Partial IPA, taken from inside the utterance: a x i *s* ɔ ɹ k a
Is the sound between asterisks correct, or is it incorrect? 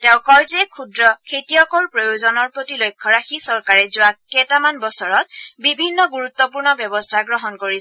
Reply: correct